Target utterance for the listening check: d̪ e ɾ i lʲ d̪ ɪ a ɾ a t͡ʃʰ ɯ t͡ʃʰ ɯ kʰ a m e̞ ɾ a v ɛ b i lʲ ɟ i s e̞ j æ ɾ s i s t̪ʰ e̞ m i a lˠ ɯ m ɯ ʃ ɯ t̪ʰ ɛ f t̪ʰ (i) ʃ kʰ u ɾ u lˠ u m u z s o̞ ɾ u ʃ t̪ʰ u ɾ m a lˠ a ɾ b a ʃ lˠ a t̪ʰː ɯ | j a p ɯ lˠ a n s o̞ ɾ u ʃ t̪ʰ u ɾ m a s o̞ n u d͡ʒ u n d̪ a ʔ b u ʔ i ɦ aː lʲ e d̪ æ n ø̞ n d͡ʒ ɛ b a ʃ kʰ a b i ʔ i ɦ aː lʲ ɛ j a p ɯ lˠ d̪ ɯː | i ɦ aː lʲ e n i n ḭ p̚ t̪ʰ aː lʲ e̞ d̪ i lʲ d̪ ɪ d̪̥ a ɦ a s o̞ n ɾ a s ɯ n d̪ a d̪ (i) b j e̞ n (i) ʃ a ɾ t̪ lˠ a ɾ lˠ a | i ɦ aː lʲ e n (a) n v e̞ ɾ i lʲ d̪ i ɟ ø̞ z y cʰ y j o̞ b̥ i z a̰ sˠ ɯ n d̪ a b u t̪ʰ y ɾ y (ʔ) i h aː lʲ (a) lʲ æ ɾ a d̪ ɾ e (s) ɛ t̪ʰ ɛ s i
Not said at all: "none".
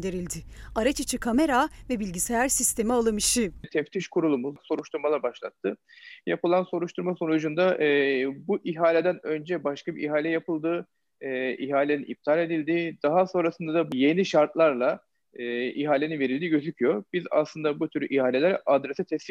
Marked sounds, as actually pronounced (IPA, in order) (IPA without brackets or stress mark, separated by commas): i, a, i, i, ʔ, e, s